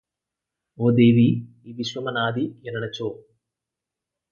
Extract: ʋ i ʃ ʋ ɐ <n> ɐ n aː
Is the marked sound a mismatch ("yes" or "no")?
yes